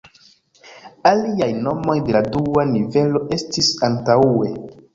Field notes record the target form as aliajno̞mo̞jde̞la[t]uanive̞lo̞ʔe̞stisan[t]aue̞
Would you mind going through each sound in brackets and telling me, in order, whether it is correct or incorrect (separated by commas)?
incorrect, correct